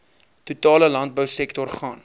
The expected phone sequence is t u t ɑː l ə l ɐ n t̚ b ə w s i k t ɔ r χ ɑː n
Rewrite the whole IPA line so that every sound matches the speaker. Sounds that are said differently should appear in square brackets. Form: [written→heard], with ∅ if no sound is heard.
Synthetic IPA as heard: t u t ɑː l ə l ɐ n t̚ b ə w s [i→ɛ] k t ɔ r χ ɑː n

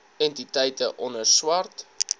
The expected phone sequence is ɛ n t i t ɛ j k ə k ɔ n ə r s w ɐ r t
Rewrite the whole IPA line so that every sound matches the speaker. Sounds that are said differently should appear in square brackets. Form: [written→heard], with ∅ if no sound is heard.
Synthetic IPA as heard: ɛ n t i t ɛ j [k→t] ə [k→ʔ] ɔ n ə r s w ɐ r t

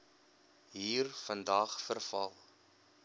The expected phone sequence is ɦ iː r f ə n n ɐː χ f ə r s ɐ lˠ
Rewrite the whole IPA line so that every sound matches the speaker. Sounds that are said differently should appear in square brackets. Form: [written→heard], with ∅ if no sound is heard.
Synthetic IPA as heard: ɦ iː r f ə n [n→d] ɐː χ f ə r [s→f] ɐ lˠ

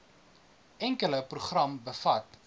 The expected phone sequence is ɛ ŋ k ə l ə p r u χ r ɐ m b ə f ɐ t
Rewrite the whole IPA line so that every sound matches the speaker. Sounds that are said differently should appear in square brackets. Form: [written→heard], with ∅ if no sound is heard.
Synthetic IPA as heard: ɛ ŋ k ə l ə p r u χ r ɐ m b ə f ɐ t

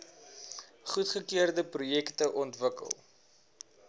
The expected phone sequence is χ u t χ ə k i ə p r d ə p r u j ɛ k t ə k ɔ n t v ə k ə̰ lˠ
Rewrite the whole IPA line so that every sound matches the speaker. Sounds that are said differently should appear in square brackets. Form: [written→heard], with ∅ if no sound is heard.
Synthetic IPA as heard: χ u t χ ə k i ə [p→∅] r d ə p r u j ɛ k t ə [k→ʔ] ɔ n t v ə k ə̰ lˠ

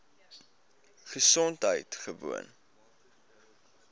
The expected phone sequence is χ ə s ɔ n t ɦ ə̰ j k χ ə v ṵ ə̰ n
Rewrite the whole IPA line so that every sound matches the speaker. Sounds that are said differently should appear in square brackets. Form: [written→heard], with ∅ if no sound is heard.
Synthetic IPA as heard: χ ə s ɔ n t ɦ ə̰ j [k→t] χ ə v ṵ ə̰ n

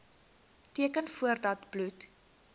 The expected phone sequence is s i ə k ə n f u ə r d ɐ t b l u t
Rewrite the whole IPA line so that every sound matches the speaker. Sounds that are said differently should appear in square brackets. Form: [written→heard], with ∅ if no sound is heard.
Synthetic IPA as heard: [s→t] i ə k ə n f u ə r d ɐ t b l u t

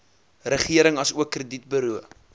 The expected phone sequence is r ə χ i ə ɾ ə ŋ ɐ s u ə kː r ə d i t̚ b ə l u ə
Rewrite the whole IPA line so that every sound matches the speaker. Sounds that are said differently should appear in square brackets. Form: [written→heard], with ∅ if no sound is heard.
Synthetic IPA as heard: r ə χ i ə ɾ ə ŋ ɐ s u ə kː r ə d i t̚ b ə [l→ɾ] u ə

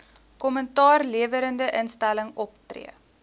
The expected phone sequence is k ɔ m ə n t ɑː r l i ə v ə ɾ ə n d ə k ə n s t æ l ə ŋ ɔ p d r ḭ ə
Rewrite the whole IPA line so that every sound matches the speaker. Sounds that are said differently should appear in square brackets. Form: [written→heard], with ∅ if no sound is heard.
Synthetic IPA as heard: k ɔ m ə n t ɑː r l i ə v ə ɾ ə n d ə [k→ʔ] ə n s t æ l ə ŋ ɔ p [d→t] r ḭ ə

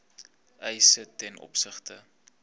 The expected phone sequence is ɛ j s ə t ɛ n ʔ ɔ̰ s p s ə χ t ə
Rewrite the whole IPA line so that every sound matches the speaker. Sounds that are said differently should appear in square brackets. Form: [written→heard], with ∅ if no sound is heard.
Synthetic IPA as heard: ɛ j s ə t ɛ n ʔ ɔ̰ [s→∅] p s ə χ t ə

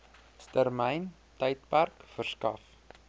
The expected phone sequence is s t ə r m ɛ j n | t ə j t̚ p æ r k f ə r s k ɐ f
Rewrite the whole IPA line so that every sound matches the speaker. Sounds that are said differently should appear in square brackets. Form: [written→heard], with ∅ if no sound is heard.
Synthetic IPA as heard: s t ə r m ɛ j n | t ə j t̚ p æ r k f ə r s k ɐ f

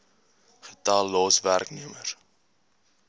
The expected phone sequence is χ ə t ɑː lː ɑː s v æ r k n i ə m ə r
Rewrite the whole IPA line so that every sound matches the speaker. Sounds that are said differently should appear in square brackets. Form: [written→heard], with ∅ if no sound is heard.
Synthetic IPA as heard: χ ə t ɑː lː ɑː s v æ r k n i ə m ə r

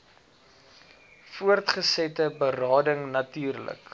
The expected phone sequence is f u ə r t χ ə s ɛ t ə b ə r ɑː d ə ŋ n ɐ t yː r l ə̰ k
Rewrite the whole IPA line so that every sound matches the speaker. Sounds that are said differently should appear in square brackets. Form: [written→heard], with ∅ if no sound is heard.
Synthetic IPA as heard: f u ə r t χ ə s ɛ t ə b ə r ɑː d ə ŋ n ɐ t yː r l ə̰ k

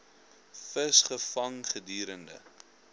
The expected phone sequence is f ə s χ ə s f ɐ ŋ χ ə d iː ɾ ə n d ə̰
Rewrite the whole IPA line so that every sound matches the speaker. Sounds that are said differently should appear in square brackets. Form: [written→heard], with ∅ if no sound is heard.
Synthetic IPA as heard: f ə s χ ə [s→∅] f ɐ ŋ χ ə d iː ɾ ə n d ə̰

